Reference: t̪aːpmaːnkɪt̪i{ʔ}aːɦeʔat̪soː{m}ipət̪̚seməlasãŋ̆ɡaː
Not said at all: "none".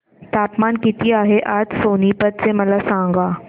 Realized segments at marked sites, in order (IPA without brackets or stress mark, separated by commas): none, n